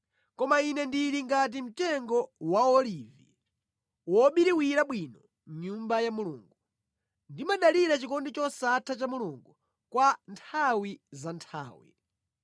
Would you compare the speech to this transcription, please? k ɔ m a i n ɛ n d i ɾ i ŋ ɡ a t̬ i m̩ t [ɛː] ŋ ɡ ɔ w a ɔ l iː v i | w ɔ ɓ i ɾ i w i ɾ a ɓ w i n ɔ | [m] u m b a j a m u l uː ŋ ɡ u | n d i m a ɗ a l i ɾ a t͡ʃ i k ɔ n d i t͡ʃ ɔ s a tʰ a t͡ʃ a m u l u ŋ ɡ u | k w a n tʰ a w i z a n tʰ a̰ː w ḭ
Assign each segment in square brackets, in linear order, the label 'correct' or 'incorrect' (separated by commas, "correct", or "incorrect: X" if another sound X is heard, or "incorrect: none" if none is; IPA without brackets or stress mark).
incorrect: ɛ, incorrect: ɲ